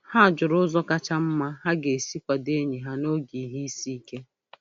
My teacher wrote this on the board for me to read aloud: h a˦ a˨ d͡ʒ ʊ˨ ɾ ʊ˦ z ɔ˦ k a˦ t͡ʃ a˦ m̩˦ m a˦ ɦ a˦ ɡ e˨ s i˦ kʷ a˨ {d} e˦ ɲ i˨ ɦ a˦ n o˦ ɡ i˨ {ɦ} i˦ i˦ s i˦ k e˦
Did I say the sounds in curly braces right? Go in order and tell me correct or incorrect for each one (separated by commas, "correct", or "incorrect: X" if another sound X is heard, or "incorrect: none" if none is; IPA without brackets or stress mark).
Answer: correct, correct